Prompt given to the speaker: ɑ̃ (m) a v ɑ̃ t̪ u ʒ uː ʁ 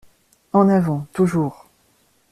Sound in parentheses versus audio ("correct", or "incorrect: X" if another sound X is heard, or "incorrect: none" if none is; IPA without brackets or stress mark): incorrect: n